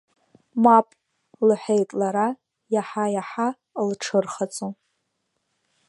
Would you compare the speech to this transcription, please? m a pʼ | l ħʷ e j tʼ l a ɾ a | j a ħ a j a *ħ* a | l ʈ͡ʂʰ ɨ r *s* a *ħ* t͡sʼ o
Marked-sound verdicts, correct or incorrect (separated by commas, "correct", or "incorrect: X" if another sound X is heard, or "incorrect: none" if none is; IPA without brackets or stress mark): correct, incorrect: χ, incorrect: none